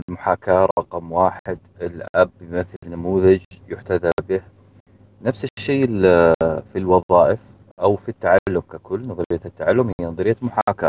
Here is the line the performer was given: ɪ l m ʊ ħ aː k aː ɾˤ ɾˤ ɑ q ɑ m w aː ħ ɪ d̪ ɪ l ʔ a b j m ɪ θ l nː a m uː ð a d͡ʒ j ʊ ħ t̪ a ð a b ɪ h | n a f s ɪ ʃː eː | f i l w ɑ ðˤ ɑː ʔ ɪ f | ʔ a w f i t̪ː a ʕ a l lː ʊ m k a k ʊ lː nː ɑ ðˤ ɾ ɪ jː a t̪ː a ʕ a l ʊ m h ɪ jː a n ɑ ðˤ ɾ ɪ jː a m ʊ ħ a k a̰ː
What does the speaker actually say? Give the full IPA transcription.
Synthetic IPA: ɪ l m ʊ ħ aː k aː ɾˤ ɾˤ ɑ q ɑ m w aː ħ ɪ d̪ ɪ l ʔ a b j m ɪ θ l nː a m uː ð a d͡ʒ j ʊ ħ t̪ a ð a b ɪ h | n a f s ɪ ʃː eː | f i l w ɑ ðˤ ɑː ʔ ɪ f | ʔ a w f i t̪ː a ʕ a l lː ʊ m k a k ʊ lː n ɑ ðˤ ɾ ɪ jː a t̪ː a ʕ a lː ʊ m h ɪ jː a n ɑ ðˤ ɾ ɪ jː a m ʊ ħ a k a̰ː